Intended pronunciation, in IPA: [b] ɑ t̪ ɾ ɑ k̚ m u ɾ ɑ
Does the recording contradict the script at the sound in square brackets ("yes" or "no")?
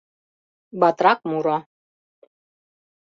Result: no